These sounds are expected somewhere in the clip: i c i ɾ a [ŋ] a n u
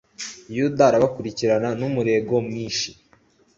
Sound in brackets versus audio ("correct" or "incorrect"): incorrect